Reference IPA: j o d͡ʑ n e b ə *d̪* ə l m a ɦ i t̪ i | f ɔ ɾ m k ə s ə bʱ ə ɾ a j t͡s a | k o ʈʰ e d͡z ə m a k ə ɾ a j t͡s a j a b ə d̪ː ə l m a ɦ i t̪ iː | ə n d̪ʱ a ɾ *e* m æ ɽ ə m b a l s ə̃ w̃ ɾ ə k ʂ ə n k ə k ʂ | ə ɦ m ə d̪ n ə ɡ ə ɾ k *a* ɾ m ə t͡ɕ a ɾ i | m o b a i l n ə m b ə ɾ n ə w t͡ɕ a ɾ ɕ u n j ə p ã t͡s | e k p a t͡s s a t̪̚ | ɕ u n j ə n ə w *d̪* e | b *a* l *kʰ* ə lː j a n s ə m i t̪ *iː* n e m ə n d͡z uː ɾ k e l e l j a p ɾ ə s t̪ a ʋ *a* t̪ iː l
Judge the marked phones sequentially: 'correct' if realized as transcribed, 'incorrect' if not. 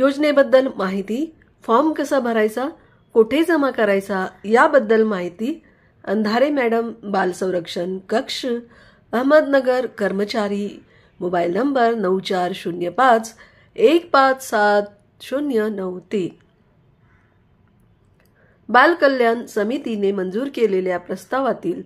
incorrect: d̪ː, correct, incorrect: ə, incorrect: t̪, correct, incorrect: k, incorrect: i, correct

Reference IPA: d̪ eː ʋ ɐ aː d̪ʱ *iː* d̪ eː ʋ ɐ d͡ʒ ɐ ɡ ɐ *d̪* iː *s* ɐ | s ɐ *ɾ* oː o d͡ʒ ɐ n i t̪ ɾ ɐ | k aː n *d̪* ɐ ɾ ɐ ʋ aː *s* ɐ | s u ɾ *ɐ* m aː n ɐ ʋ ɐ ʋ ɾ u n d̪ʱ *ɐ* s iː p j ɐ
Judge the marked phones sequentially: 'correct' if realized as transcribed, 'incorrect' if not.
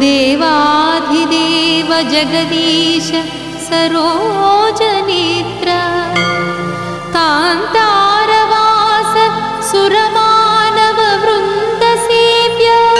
incorrect: i, correct, incorrect: ʃ, correct, incorrect: t̪, correct, correct, correct

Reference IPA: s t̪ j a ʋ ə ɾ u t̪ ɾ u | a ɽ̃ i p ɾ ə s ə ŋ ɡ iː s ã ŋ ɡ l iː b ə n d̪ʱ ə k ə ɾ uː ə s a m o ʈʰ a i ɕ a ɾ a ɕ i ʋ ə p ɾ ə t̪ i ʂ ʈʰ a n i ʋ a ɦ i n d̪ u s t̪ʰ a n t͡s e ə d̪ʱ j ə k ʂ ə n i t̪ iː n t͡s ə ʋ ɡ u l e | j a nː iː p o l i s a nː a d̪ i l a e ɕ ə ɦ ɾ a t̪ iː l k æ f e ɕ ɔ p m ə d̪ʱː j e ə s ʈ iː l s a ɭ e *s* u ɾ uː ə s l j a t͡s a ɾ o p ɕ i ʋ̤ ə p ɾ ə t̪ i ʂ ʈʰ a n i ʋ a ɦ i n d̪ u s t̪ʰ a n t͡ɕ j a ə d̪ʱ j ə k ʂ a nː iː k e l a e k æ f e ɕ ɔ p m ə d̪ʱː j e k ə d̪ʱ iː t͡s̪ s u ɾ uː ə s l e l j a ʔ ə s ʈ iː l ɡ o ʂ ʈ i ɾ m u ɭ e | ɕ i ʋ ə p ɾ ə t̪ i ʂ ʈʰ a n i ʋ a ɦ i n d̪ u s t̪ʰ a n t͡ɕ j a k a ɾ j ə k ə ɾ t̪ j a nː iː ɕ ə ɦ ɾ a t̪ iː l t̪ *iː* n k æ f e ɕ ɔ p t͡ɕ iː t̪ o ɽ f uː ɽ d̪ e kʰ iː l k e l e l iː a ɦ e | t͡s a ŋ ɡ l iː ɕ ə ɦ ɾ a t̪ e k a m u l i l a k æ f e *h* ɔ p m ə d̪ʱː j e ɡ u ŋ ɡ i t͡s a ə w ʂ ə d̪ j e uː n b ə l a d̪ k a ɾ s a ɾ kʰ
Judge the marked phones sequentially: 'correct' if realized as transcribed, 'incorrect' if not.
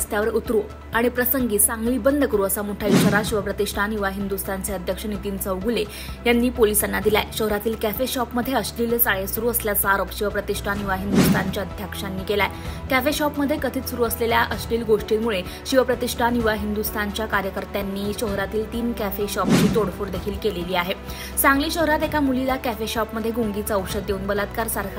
correct, correct, incorrect: ɕ

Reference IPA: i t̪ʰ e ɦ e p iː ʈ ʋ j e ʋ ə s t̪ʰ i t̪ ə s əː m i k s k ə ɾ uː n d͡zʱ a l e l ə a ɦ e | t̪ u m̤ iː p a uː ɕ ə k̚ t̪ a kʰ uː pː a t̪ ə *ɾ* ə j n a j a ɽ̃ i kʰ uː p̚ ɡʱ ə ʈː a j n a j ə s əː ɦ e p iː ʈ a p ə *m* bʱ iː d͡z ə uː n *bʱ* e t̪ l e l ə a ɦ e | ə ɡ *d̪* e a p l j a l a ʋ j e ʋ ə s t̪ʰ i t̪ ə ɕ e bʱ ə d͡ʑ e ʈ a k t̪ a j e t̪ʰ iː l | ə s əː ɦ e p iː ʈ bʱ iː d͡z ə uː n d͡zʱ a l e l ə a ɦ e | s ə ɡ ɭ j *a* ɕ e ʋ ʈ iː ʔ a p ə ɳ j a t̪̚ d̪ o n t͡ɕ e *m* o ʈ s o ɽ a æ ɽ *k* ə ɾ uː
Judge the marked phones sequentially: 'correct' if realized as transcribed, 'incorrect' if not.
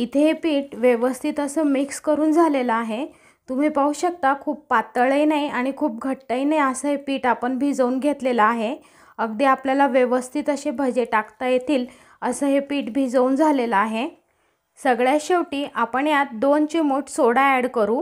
incorrect: ɭ, incorrect: ɳ, incorrect: ɡʱ, correct, correct, correct, correct

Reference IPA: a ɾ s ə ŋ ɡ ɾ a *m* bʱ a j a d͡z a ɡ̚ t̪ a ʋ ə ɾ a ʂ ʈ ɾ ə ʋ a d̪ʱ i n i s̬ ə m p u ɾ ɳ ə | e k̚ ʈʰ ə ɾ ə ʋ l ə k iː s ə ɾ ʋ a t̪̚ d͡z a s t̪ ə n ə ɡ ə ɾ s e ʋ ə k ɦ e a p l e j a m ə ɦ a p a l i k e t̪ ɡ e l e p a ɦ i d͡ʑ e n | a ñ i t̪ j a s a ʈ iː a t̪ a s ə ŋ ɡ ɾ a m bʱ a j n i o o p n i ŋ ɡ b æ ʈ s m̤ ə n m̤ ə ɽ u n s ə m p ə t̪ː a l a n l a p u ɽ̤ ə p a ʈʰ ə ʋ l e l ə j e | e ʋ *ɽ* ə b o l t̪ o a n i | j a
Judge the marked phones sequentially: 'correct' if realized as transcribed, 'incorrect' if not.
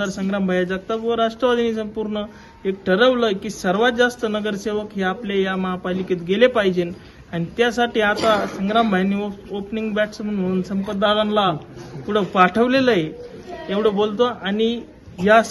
correct, correct

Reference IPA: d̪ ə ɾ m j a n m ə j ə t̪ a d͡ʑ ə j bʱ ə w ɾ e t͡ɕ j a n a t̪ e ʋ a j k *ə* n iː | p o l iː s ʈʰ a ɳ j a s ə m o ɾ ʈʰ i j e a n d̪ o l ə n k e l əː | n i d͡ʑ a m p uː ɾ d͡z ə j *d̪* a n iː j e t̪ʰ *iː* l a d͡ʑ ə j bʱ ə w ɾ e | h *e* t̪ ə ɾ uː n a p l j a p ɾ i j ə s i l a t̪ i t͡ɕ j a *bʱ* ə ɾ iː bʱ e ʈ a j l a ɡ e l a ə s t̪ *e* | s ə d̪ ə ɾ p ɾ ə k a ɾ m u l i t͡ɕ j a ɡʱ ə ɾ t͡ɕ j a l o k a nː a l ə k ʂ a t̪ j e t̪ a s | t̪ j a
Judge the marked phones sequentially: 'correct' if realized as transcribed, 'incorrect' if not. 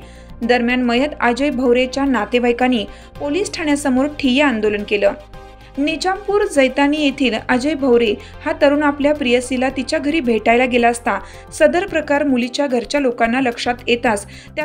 incorrect: a, incorrect: t̪, correct, incorrect: a, incorrect: ɡʱ, incorrect: a

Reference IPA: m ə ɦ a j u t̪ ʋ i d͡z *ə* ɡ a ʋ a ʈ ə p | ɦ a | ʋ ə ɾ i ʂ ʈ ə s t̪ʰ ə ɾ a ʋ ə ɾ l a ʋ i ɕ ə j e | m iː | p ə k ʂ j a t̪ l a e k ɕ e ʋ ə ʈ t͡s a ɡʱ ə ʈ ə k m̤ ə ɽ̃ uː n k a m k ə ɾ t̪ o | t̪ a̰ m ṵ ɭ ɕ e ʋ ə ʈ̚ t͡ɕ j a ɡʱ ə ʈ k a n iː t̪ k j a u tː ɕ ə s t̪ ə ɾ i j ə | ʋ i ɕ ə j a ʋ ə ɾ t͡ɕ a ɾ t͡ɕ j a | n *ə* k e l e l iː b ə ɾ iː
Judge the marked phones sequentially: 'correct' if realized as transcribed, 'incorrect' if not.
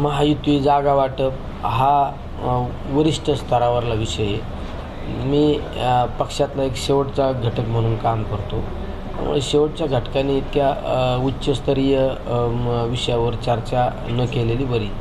incorrect: a, correct

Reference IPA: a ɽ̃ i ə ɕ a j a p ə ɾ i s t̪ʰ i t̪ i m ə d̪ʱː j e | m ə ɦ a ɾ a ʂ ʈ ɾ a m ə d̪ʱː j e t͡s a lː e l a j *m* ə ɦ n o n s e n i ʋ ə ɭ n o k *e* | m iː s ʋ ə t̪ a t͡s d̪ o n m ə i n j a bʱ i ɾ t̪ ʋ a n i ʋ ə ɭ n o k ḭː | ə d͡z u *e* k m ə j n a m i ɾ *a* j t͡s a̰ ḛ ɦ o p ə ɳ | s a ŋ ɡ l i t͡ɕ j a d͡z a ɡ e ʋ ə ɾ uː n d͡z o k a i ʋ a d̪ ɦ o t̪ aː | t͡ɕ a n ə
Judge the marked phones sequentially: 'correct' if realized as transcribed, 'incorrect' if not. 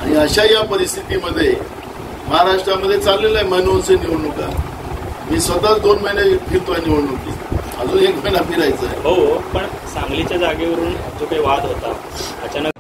correct, incorrect: a, correct, correct

